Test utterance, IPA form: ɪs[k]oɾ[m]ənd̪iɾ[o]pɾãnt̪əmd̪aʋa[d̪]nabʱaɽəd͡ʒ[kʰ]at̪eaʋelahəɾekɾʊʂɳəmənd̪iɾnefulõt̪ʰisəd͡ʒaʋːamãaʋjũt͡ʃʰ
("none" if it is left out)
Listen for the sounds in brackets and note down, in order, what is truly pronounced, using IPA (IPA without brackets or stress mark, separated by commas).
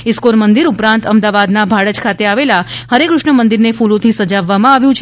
k, m, u, d̪, kʰ